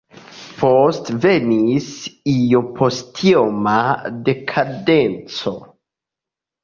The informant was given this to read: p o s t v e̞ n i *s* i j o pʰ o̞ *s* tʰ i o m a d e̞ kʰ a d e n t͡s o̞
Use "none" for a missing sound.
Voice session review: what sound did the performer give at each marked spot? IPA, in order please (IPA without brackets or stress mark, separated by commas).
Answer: s, s